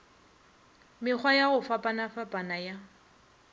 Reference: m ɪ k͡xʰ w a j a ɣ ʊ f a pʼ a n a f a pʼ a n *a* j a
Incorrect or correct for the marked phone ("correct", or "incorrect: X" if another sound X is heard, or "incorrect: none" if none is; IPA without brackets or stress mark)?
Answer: correct